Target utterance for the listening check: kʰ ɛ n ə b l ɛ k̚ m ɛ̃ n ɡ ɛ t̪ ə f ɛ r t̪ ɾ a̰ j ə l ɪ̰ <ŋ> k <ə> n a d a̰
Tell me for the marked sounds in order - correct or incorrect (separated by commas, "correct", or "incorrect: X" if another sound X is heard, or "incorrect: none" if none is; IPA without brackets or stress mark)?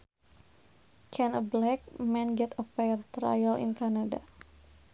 incorrect: n, incorrect: a